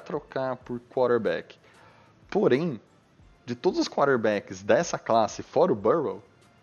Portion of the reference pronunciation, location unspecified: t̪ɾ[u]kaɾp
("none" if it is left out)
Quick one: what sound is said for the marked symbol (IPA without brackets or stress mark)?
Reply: o